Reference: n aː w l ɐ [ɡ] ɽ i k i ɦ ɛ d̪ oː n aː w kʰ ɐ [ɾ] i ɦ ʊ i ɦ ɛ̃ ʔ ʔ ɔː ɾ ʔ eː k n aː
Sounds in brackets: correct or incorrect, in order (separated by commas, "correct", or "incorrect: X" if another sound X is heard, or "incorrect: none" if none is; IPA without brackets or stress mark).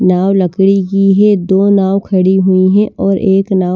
incorrect: k, incorrect: ɽ